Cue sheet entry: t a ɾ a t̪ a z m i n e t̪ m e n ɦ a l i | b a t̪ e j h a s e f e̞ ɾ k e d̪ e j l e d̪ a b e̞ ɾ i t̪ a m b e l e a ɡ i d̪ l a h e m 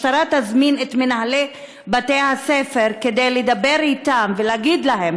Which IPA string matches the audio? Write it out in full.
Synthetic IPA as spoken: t a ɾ a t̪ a z m i n e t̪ m e n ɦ a l e | b a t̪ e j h a s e f e̞ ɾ k e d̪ e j l e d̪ a b e̞ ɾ i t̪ a m v e l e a ɡ i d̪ l a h e m